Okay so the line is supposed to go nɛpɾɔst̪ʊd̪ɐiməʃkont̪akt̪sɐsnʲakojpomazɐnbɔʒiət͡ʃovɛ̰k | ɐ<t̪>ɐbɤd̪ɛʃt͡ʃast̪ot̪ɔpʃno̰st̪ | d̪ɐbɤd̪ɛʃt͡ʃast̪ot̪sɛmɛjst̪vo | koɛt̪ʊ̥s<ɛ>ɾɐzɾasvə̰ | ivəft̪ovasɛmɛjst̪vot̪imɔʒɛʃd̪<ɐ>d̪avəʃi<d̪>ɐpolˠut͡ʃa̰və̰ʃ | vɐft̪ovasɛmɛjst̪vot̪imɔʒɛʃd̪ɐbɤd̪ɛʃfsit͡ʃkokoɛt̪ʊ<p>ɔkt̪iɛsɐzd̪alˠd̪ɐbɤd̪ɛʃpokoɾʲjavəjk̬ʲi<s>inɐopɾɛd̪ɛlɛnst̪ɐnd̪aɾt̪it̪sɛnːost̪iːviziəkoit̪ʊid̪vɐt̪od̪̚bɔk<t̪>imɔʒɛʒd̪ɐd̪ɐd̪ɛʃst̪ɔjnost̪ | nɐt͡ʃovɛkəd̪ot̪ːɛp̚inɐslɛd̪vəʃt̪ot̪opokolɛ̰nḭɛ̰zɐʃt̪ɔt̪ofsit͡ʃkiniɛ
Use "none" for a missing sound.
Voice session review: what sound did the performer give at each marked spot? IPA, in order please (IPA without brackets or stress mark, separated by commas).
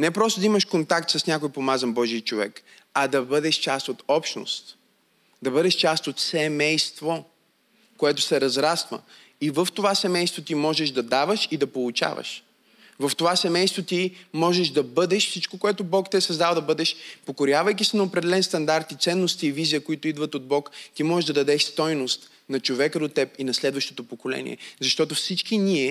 d̪, ɛ, ɐ, d̪, b, s, t̪